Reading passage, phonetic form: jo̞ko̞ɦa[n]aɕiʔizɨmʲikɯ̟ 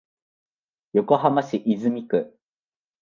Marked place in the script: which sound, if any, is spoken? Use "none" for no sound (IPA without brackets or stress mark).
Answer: m